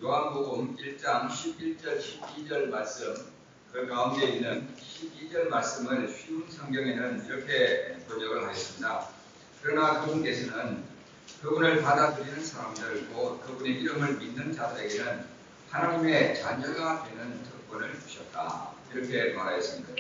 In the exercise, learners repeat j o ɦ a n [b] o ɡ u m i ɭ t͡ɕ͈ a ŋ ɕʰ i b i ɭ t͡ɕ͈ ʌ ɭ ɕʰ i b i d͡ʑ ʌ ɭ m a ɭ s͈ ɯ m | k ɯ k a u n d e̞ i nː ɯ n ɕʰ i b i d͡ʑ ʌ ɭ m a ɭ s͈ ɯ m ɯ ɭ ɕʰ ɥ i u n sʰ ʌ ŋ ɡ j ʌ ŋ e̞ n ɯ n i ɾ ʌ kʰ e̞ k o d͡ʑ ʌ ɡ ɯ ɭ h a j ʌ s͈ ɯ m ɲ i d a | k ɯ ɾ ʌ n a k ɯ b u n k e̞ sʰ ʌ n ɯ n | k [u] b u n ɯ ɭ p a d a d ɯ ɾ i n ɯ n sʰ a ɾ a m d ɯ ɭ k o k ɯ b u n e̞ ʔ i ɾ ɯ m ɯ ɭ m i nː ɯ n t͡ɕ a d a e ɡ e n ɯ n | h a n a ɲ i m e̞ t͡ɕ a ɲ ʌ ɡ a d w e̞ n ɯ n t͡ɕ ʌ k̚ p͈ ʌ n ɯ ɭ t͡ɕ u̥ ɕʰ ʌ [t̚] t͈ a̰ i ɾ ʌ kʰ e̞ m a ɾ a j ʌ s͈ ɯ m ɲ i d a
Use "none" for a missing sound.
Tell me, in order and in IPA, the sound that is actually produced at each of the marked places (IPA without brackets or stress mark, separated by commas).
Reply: b, ɯ, t̚